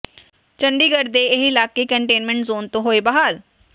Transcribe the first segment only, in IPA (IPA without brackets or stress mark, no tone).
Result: t͡ʃ